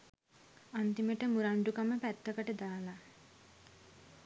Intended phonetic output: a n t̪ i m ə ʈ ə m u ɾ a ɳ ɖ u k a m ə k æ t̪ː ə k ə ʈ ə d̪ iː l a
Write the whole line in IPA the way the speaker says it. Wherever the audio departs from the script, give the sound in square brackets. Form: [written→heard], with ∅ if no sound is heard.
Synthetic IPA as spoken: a n t̪ i m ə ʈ ə m u ɾ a ɳ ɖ u k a m ə [k→p] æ t̪ː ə k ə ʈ ə d̪ [iː→aː] l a